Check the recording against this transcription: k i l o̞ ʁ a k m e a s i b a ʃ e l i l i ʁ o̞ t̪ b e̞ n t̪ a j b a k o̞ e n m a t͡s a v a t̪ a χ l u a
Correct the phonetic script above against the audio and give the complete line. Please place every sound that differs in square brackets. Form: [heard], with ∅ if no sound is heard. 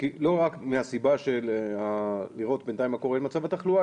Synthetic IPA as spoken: k i l o̞ ʁ a k m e a s i b a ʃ e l [a] l i ʁ o̞ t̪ b e̞ n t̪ a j [m] a k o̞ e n m a t͡s a v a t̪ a χ l u a